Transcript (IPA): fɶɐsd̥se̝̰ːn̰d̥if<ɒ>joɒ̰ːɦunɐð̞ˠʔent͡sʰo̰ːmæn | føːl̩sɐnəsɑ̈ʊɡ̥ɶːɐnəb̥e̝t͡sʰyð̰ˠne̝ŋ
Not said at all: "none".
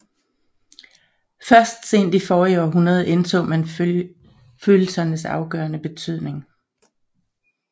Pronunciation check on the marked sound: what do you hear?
ɒː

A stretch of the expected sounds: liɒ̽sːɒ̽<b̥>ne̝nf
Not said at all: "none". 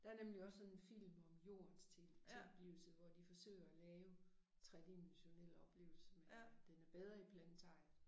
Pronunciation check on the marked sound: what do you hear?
none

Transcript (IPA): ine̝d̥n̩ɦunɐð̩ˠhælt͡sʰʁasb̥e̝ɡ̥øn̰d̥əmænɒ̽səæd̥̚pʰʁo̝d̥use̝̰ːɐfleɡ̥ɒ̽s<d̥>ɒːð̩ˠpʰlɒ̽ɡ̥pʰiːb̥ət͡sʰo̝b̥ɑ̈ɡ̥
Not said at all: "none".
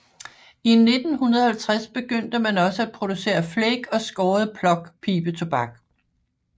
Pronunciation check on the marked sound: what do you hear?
ɡ̥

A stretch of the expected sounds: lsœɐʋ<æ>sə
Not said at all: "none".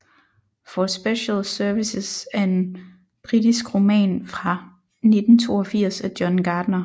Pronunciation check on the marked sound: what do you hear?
i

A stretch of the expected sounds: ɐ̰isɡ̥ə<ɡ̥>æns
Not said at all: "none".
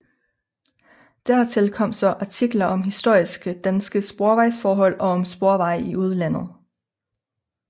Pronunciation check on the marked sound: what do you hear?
d̥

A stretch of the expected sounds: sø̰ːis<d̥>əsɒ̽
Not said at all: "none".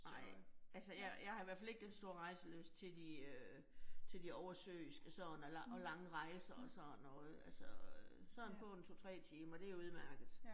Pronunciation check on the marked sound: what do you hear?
ɡ̥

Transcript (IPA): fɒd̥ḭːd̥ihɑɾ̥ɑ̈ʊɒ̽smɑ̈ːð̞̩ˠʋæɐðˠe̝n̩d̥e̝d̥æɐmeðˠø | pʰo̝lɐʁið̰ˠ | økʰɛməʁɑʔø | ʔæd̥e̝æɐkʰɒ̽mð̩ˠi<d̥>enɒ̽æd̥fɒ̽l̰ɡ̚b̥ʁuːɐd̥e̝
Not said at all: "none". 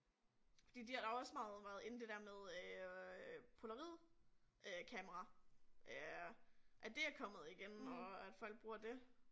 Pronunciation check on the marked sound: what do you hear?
ɡ̥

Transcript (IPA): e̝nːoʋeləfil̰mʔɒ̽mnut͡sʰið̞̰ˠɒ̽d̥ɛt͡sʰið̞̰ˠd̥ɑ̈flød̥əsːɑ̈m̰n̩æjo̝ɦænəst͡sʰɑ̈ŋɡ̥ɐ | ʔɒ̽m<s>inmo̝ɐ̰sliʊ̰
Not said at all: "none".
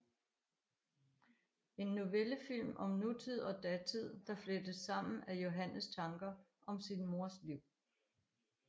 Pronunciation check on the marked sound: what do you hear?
s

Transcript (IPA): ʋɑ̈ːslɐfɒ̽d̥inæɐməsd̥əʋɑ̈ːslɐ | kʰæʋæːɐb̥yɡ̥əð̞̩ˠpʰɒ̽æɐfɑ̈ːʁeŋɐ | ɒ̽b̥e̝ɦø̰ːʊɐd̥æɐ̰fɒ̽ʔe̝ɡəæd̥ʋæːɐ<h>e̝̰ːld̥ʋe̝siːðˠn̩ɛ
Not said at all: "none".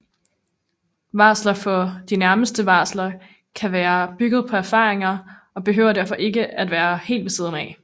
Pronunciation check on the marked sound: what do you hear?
h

